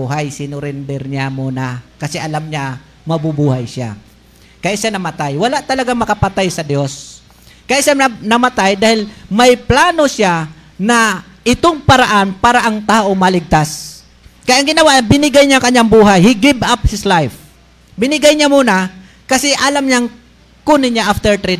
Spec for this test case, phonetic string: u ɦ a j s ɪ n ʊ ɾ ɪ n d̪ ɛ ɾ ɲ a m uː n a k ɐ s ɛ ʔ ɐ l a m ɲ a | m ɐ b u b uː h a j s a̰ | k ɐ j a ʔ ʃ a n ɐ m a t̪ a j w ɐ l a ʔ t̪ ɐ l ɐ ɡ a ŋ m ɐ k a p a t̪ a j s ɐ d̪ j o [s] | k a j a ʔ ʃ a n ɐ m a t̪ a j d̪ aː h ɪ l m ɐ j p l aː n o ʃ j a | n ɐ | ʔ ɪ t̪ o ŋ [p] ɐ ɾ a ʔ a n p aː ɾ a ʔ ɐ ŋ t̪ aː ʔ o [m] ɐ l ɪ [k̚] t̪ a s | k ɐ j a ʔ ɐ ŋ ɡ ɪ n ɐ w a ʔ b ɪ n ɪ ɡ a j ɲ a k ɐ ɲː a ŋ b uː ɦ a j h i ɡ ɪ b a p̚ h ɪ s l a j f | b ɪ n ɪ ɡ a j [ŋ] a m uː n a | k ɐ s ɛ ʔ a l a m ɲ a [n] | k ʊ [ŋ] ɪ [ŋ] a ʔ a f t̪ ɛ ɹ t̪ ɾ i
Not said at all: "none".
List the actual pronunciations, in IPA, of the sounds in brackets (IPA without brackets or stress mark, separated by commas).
s, p, m, ɡ̚, ɲ, ŋ, n, ɲ